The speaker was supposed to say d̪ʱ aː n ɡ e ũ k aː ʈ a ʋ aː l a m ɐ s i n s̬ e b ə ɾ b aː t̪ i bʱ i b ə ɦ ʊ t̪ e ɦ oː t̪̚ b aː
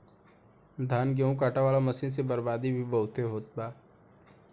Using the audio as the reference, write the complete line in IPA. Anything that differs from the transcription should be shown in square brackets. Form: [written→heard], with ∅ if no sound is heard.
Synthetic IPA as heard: d̪ʱ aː n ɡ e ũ k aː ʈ a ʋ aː l a m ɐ s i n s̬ e b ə ɾ b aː [t̪→d̪] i bʱ i b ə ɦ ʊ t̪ e ɦ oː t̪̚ b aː

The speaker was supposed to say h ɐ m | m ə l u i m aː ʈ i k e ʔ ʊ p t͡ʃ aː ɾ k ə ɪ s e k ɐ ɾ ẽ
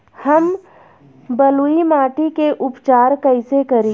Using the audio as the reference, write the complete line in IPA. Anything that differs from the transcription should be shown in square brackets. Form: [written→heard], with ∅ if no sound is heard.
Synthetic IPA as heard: h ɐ m | [m→b] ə l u i m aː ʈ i k e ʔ ʊ p t͡ʃ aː ɾ k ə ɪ s e k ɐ ɾ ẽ

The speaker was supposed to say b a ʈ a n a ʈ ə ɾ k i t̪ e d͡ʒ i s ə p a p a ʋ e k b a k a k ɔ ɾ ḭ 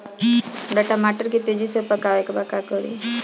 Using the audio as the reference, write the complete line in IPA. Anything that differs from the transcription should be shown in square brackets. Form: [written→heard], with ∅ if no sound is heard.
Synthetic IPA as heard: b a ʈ a [n→m] a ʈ ə ɾ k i t̪ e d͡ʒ i s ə p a [p→k] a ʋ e k b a k a k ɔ ɾ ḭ

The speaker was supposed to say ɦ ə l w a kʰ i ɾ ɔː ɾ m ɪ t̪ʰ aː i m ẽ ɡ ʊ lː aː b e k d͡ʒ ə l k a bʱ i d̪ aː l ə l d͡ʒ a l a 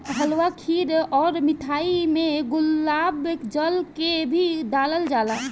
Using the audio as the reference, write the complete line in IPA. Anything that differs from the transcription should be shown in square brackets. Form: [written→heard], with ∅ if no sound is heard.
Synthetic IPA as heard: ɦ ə l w a kʰ i ɾ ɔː ɾ m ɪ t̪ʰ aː i m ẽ ɡ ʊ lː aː b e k d͡ʒ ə l k [a→e] bʱ i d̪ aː l ə l d͡ʒ a l a

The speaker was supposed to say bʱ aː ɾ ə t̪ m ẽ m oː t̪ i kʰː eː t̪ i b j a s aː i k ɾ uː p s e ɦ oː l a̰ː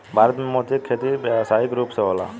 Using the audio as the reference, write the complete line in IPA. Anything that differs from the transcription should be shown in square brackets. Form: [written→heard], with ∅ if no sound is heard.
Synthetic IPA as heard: bʱ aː ɾ ə t̪ m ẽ m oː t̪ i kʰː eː t̪ i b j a s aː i k ɾ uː p s e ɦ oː l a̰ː

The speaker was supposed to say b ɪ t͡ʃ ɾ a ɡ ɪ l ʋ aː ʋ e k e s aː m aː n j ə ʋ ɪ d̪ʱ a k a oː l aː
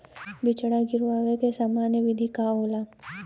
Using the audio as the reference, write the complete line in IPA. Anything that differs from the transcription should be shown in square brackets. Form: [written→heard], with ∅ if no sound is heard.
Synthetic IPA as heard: b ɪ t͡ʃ [ɾ→ɽ] a ɡ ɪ [l→ɾ] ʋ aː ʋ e k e s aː m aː n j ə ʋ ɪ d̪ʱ [a→i] k a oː l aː

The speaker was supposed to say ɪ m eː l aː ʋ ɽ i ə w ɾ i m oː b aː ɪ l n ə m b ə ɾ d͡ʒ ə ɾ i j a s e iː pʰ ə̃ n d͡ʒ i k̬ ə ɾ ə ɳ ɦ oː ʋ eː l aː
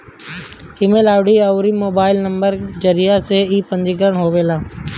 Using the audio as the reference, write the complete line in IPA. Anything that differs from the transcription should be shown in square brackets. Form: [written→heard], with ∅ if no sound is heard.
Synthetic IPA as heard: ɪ m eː l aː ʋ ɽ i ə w ɾ i m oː b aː ɪ l n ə m b ə ɾ d͡ʒ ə ɾ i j a s e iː [pʰ→p] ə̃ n d͡ʒ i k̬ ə ɾ ə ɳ ɦ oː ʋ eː l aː

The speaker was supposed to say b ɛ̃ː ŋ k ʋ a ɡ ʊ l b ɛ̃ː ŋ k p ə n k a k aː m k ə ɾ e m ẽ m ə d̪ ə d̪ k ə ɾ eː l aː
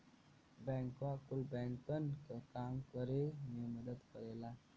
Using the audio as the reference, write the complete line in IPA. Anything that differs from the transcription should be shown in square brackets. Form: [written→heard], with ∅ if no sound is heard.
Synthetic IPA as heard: b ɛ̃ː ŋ k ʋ a [ɡ→k] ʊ l b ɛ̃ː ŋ k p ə n k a k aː m k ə ɾ e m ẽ m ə d̪ ə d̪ k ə ɾ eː l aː

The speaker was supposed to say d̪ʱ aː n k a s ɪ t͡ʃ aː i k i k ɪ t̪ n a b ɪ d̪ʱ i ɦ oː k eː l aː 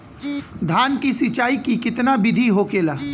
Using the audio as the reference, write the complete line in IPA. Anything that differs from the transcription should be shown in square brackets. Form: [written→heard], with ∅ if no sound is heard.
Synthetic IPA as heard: d̪ʱ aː n k [a→i] s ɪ t͡ʃ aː i k i k ɪ t̪ n a b ɪ d̪ʱ i ɦ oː k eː l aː

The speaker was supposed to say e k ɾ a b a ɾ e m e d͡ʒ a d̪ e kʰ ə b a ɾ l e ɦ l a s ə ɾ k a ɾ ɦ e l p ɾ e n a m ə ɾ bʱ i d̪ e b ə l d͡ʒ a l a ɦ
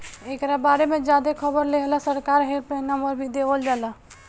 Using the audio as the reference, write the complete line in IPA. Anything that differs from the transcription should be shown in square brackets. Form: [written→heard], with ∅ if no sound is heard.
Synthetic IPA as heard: e k ɾ a b a ɾ e m e d͡ʒ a d̪ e kʰ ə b [a→ə] ɾ l e ɦ l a s ə ɾ k a ɾ ɦ e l p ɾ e n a m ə ɾ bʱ i d̪ e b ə l d͡ʒ a l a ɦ

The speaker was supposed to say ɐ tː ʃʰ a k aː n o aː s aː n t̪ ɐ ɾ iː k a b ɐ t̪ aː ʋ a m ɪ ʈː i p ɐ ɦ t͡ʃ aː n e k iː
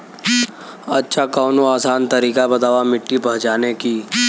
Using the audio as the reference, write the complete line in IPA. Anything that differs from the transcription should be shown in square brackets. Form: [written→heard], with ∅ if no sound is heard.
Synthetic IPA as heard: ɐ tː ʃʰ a k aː n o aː s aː n t̪ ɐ ɾ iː k a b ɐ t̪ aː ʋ a m ɪ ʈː i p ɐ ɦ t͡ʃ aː n e k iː

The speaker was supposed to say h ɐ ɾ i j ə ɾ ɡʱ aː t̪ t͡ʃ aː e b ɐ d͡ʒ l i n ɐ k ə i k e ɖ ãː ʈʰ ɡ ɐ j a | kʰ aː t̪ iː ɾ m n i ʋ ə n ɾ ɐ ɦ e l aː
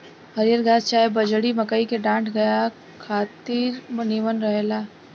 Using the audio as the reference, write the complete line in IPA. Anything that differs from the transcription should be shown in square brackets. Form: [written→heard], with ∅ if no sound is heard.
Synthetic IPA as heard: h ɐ ɾ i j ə ɾ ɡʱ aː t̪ t͡ʃ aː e b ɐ d͡ʒ [l→ɽ] i [n→m] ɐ k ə i k e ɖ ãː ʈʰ ɡ ɐ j a | kʰ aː t̪ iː ɾ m n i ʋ ə n ɾ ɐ ɦ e l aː

